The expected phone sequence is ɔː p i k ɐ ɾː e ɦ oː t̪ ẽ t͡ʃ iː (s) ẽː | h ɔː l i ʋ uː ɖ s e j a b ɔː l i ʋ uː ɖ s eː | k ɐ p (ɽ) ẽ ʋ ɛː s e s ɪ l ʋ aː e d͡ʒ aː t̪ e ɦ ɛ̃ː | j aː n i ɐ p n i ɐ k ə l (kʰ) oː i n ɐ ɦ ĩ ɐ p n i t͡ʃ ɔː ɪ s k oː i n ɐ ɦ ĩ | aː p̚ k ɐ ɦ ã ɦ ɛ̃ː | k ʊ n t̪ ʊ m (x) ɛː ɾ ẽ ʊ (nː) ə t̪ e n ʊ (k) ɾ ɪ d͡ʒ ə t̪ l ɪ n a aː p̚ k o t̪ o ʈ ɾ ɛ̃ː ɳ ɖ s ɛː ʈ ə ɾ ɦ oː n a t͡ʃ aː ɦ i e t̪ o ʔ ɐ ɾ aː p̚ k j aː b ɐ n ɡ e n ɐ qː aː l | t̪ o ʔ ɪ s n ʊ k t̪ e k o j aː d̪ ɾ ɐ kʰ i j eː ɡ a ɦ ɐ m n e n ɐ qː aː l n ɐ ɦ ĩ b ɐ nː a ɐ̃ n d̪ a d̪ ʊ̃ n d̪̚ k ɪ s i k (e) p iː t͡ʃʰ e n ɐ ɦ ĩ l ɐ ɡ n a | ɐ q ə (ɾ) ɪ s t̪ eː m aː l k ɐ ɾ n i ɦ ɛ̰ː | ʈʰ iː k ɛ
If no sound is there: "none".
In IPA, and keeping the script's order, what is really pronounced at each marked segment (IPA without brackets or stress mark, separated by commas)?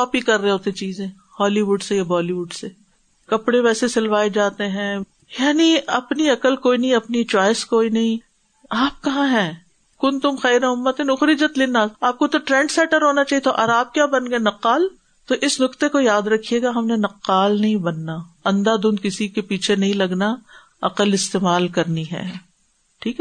z, ɽ, k, x, mː, x, e, l